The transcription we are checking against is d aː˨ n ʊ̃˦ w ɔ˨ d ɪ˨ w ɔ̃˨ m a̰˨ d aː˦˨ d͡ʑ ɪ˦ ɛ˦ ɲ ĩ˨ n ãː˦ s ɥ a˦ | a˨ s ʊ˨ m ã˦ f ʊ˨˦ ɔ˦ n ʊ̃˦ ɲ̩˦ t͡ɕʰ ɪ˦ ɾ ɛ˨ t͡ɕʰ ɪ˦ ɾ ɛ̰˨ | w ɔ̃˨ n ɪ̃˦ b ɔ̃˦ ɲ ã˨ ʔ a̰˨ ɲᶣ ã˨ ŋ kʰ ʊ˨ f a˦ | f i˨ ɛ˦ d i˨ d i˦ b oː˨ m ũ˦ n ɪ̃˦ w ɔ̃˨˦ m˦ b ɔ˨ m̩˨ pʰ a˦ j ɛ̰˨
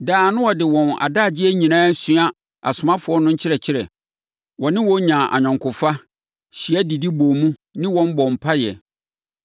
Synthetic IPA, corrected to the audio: d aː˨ n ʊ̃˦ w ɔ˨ d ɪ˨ w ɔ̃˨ n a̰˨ d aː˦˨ d͡ʑ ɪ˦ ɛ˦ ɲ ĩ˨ n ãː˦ s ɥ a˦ | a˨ s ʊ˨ m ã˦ f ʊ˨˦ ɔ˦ n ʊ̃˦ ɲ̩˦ t͡ɕʰ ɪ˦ ɾ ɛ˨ t͡ɕʰ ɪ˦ ɾ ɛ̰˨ | w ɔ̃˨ n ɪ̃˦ w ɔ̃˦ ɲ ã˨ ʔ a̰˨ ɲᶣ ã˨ ŋ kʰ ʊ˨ f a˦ | ɕ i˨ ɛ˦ d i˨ d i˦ b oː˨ m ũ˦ n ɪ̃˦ w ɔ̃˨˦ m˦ b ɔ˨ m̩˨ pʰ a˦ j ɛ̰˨